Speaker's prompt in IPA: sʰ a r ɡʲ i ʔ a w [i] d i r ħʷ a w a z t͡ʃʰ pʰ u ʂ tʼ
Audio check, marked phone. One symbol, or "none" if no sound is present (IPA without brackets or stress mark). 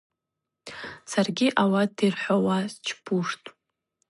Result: a